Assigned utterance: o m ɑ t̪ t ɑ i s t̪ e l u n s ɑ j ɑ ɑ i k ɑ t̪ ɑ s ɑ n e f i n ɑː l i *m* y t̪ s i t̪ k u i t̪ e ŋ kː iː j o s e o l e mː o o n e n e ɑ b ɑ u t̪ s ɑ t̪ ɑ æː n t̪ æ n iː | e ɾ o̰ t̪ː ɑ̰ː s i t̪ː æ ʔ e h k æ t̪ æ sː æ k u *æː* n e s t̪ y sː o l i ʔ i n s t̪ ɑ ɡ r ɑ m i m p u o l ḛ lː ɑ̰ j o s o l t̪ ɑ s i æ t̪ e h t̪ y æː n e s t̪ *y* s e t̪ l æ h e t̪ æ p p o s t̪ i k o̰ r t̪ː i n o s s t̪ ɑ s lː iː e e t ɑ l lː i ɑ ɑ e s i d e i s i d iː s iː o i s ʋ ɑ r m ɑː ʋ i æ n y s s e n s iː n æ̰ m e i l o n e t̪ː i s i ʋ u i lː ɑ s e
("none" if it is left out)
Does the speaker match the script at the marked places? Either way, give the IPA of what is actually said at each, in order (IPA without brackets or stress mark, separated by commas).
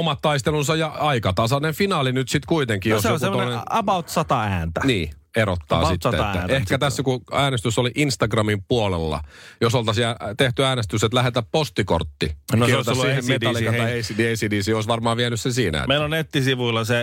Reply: n, æː, y